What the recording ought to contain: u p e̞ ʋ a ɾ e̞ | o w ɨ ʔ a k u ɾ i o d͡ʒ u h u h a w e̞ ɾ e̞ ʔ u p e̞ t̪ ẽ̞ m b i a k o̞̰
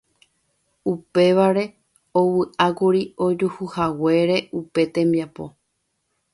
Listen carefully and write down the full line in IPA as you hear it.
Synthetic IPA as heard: u p e̞ ʋ a ɾ e̞ | o w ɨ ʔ a k u ɾ i o d͡ʒ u h u h a w e̞ ɾ e̞ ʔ u p e̞ t̪ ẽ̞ m b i a p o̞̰